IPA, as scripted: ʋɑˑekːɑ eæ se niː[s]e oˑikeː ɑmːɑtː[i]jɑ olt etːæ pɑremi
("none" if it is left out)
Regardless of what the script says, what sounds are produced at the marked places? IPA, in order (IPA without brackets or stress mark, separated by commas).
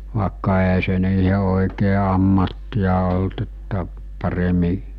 h, i